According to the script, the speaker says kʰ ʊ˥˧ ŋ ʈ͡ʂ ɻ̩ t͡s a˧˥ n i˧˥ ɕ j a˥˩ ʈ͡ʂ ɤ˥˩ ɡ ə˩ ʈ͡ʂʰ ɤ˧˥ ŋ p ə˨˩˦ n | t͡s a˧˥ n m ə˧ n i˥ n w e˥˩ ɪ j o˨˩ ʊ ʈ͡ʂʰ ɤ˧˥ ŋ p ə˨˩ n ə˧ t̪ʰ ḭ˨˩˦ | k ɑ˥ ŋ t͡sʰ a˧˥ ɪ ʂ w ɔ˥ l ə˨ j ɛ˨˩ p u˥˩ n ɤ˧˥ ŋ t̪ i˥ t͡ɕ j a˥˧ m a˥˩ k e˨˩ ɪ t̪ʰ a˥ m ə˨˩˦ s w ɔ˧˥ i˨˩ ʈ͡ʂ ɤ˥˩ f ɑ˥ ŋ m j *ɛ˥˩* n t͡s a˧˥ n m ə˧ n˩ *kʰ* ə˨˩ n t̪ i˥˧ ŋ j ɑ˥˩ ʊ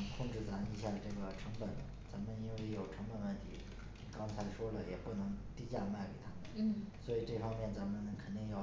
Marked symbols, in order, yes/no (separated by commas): yes, yes